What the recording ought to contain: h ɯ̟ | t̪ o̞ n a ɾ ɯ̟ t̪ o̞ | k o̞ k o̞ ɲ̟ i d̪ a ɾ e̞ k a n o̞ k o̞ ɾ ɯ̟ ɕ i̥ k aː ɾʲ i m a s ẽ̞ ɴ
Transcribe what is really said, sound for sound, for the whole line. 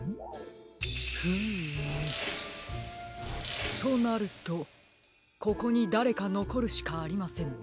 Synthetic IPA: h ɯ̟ | t̪ o̞ n a ɾ ɯ̟ t̪ o̞ | k o̞ k o̞ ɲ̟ i d̪ a ɾ e̞ k a n o̞ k o̞ ɾ ɯ̟ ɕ i̥ k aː ɾʲ i m a s ẽ̞ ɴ